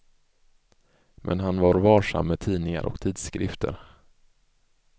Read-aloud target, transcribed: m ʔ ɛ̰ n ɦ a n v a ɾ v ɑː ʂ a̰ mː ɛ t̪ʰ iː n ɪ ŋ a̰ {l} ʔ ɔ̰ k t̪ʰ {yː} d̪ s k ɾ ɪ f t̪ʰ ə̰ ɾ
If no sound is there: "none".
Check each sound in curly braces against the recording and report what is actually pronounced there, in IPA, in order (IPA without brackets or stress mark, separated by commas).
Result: ɾ, iː